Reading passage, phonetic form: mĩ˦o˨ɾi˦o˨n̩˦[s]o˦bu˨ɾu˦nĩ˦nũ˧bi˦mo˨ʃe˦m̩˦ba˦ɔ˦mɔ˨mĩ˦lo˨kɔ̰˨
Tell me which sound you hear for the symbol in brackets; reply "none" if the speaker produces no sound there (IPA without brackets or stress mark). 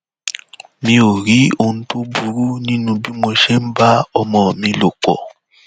t